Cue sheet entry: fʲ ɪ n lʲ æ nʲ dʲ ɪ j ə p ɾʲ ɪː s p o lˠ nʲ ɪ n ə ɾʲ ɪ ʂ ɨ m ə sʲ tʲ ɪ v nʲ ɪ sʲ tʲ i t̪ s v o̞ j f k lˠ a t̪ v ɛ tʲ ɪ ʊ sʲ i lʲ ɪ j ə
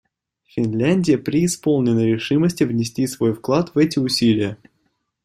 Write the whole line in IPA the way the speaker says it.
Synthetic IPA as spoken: fʲ ɪ n lʲ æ nʲ dʲ ɪ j ə p ɾʲ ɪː s p o lˠ nʲ ɪ n ə ɾʲ ɪ ʂ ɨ m ə sʲ tʲ ɪ v nʲ ɪ sʲ tʲ i s v o̞ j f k lˠ a t̪ v ɛ tʲ ɪ ʊ sʲ i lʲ ɪ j ə